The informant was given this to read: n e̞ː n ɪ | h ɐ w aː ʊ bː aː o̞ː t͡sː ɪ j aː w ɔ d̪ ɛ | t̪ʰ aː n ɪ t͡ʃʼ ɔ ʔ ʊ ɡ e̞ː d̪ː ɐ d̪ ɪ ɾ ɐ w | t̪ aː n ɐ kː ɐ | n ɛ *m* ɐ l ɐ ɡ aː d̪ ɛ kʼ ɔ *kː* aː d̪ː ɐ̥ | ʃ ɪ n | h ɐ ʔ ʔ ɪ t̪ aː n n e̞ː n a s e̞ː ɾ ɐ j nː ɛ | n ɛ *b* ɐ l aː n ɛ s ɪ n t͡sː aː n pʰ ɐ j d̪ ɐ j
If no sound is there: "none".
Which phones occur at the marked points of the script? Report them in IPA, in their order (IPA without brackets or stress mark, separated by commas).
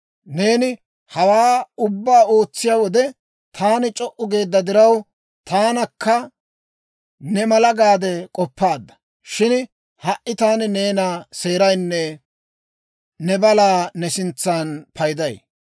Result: m, pː, b